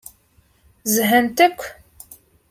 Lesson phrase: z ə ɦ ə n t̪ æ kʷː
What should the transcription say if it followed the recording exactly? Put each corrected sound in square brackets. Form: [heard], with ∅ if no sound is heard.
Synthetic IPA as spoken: z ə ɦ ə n t̪ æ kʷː